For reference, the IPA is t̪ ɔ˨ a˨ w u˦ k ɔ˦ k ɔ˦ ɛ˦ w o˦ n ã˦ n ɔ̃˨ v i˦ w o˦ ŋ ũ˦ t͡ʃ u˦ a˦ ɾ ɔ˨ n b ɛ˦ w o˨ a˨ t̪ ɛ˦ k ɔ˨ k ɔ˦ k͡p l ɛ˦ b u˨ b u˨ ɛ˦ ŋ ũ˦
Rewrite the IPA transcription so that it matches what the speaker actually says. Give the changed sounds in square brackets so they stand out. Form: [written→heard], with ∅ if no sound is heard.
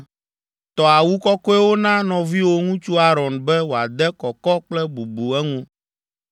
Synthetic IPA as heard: t̪ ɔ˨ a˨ w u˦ k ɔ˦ k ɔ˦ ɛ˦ w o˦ n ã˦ n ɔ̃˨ v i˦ w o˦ ŋ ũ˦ t͡ʃ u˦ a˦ ɾ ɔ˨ n b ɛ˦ w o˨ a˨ [t̪→d̪] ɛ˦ k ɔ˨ k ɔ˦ k͡p l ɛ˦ b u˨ b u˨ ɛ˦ ŋ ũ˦